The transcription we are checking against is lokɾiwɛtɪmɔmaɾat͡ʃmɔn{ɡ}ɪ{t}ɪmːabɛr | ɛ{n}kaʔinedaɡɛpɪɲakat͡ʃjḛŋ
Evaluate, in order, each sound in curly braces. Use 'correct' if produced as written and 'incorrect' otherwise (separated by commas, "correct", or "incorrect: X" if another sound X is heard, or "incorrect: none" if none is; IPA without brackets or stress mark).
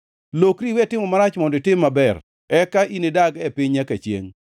incorrect: d, correct, incorrect: none